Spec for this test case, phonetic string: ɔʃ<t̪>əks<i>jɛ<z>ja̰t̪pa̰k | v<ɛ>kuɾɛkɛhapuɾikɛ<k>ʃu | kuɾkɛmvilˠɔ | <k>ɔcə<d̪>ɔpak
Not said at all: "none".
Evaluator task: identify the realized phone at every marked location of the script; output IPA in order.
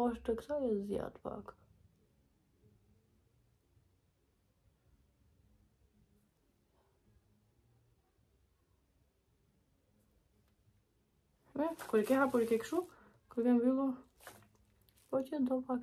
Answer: t̪, a, z, ɛ, k, p, d̪

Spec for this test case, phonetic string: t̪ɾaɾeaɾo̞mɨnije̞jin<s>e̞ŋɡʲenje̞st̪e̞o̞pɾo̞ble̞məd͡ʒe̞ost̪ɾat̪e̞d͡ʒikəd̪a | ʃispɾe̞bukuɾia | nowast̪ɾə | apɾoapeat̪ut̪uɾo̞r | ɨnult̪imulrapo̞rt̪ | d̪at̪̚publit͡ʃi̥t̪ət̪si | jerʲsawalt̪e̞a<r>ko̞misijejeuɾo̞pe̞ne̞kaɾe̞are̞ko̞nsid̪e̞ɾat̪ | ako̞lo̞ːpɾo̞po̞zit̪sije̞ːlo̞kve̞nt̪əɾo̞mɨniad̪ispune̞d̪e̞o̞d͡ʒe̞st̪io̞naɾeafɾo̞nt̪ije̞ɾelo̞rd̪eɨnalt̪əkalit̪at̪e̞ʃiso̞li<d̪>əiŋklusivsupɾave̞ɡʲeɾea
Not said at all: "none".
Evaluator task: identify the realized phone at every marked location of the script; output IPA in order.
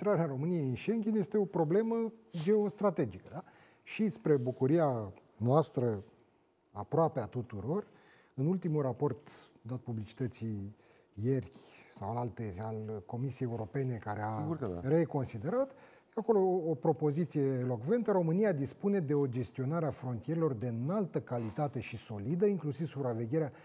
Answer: ʃ, l, d̪

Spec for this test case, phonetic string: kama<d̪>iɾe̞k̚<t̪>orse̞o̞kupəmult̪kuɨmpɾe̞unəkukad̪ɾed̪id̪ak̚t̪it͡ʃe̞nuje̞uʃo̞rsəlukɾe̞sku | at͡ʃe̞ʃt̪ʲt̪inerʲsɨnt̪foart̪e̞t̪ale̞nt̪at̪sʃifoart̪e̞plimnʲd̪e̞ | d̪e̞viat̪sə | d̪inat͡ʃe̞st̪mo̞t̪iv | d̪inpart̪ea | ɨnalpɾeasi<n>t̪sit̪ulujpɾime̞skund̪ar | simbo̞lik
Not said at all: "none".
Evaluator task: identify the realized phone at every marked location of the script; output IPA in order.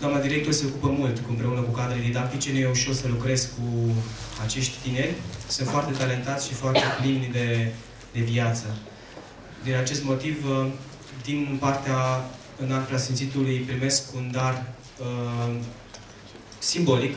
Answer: d̪, t̪, n

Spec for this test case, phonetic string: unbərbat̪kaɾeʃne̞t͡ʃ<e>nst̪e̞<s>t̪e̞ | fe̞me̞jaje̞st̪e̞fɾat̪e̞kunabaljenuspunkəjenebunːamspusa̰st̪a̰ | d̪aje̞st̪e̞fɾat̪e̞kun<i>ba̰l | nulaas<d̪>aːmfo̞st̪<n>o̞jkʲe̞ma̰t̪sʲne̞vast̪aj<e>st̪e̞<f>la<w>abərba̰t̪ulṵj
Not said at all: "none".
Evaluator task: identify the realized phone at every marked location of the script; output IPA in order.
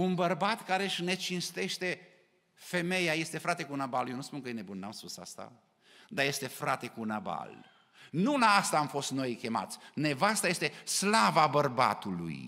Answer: i, ʃ, a, t̪, n, e, s, v

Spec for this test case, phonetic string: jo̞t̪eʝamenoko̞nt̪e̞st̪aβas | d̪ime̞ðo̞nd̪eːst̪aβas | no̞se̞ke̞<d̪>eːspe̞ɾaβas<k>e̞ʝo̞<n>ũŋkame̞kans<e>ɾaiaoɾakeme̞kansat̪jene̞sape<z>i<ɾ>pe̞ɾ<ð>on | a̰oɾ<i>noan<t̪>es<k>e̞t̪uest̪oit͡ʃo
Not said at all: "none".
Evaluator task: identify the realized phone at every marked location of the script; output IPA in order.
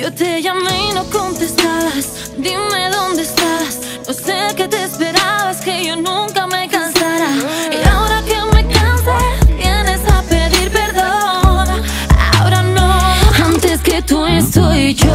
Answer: t̪, k, n, a, ð, ɾ, ð, a, t̪, k

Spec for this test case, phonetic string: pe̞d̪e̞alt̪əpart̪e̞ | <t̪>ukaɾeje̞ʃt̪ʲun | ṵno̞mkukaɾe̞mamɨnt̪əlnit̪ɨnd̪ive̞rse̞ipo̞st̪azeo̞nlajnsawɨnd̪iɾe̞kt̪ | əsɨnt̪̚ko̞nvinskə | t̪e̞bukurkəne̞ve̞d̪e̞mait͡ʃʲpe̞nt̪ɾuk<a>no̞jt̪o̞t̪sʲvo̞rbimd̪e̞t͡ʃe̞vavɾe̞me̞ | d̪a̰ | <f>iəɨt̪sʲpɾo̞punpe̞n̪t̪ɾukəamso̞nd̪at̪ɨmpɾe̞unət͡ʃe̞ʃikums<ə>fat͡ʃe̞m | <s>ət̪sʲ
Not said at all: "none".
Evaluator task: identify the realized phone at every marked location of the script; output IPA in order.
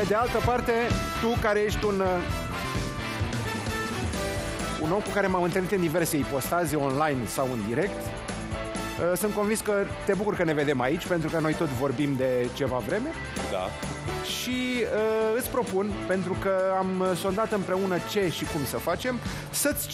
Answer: t̪, ə, ʃ, ə, s

